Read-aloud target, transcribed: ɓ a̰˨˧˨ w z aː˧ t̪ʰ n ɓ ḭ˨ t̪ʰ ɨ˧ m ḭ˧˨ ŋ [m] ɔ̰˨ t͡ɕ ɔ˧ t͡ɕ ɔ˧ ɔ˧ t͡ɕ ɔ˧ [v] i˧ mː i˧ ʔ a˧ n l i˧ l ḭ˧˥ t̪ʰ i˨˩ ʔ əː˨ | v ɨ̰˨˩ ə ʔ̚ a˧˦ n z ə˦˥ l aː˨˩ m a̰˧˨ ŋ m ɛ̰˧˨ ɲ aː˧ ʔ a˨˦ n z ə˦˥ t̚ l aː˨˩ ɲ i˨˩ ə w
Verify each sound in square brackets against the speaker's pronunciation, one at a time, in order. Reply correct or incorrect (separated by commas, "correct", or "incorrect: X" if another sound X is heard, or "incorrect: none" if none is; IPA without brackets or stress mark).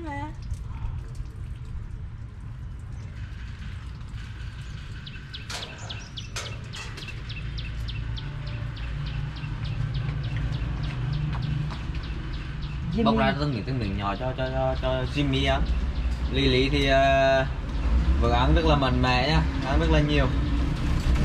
incorrect: ɲ, incorrect: z